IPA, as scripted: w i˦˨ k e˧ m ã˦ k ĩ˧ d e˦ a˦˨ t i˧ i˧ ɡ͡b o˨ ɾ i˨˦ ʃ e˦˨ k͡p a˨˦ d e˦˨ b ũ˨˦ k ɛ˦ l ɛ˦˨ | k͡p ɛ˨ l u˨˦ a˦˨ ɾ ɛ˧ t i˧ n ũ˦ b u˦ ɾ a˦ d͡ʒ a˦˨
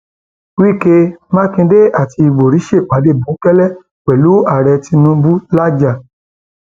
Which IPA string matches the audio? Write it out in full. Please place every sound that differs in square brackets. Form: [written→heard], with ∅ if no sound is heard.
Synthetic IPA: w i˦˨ k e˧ m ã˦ k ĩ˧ d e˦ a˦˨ t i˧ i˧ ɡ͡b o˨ ɾ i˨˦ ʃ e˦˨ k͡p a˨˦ d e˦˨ b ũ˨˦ k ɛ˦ l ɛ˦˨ | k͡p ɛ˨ l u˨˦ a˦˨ ɾ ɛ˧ t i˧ n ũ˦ b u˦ [ɾ→l] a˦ d͡ʒ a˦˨